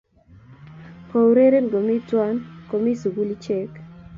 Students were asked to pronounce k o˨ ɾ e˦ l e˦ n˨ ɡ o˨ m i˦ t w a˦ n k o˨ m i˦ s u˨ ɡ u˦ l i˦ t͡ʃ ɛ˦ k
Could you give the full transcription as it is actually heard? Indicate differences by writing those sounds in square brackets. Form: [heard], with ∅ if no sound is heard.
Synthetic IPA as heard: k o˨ ɾ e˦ [ɾ] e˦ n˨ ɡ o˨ m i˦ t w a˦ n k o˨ m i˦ s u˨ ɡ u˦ l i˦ t͡ʃ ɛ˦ k